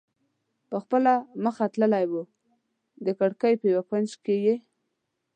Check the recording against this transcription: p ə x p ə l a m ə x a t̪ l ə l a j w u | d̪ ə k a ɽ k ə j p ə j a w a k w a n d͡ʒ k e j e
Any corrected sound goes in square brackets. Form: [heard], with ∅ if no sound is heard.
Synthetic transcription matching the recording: p ə x p ə l a m ə x a t̪ l ə l a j w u | d̪ ə k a ɽ k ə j p ə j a w a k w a n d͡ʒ k e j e